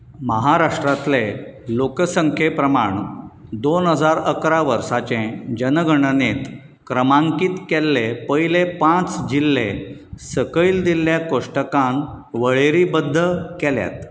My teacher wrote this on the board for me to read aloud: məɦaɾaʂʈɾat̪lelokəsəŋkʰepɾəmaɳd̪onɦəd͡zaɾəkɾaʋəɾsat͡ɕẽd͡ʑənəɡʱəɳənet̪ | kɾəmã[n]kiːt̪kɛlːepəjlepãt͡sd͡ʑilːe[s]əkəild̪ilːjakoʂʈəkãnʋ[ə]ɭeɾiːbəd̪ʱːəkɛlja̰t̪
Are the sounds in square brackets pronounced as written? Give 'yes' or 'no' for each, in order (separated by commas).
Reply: no, yes, yes